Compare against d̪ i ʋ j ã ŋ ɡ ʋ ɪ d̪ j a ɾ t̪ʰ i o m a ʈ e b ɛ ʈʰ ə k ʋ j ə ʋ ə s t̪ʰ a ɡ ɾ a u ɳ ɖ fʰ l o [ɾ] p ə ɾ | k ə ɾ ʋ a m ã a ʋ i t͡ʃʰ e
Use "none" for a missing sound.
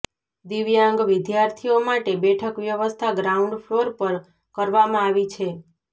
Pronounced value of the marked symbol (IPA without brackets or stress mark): ɾ